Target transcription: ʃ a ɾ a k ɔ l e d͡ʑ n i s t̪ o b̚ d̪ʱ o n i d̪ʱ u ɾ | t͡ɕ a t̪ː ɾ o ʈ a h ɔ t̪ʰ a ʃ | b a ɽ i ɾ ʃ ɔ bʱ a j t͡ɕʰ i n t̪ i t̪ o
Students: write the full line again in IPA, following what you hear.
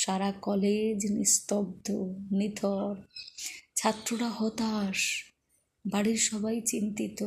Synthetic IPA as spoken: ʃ a ɾ a k ɔ l e d͡ʑ n i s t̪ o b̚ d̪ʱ o n i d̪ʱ ɔ ɾ | t͡ɕʰ a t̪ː ɾ o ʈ a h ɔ t̪ a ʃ | b a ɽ i ɾ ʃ ɔ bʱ a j t͡ɕ i n t̪ i t̪ o